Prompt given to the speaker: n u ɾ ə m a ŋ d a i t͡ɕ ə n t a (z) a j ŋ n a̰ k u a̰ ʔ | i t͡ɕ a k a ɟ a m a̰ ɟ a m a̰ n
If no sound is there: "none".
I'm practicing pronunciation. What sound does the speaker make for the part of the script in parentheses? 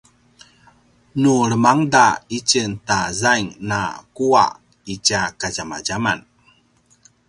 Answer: z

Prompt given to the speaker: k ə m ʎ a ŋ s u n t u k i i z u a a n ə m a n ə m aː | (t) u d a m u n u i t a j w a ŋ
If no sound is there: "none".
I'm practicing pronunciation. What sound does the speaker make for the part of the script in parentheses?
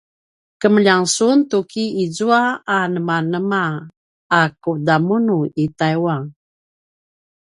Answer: k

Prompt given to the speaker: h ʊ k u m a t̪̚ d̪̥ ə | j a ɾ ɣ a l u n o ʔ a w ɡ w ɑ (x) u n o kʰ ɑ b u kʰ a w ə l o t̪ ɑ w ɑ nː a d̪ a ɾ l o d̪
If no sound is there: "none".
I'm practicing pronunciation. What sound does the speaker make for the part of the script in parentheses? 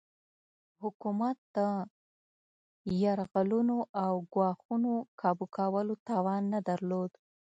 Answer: x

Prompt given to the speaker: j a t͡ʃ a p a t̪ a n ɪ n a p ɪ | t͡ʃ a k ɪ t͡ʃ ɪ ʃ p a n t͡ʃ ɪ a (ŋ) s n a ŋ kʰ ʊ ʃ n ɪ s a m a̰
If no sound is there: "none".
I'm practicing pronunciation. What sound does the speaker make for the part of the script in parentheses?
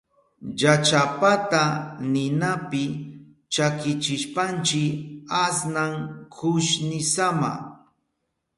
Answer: none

